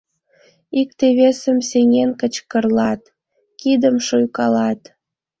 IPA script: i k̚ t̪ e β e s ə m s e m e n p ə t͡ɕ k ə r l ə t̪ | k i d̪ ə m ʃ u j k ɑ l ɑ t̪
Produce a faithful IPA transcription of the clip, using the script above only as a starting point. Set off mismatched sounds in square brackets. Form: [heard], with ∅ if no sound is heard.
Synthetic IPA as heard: i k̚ t̪ e β e s ə m s e [ŋ] e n [k] ə t͡ɕ k ə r l [ɑ] t̪ | k i d̪ ə m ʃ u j k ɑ l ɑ t̪